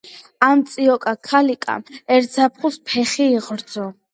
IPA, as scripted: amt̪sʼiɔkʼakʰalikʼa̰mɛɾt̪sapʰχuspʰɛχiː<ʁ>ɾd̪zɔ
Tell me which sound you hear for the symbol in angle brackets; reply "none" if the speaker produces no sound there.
ʁ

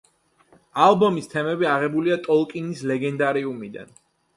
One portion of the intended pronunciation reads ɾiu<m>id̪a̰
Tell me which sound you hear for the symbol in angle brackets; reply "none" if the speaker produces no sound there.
m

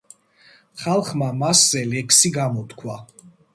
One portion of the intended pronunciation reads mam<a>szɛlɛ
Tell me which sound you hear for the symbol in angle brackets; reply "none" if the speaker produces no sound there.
a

